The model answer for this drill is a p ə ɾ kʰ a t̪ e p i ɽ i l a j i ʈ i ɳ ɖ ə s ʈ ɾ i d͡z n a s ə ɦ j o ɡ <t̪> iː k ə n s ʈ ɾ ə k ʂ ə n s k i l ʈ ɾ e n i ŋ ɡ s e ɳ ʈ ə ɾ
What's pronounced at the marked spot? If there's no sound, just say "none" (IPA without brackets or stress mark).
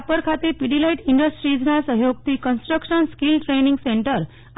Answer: t̪